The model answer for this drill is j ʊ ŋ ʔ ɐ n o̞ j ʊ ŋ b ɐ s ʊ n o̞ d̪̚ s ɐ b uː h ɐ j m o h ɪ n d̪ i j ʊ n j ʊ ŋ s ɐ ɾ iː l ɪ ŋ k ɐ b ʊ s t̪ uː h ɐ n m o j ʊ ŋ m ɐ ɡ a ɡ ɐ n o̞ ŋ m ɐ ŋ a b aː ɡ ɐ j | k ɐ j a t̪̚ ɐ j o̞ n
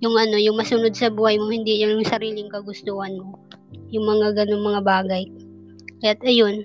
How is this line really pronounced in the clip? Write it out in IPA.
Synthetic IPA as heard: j ʊ ŋ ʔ ɐ n o̞ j ʊ ŋ m ɐ s ʊ n o̞ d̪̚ s ɐ b uː h ɐ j m o h ɪ n d̪ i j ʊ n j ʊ ŋ s ɐ ɾ iː l ɪ ŋ k ɐ ɡ ʊ s t̪ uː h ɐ n m o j ʊ ŋ m ɐ ŋ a ɡ ɐ n o̞ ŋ m ɐ ŋ a b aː ɡ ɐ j | k ɐ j a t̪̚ ɐ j o̞ n